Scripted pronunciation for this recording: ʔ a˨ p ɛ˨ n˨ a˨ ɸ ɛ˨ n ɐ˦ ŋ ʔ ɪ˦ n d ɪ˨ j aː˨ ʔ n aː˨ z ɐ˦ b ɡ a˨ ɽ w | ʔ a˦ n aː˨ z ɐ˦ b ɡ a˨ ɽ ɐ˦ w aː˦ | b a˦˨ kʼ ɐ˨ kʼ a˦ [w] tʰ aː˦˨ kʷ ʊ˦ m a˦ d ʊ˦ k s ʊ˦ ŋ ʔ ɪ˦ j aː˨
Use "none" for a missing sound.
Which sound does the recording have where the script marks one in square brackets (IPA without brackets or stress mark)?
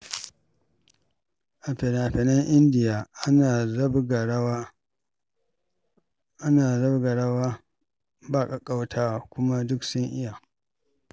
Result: w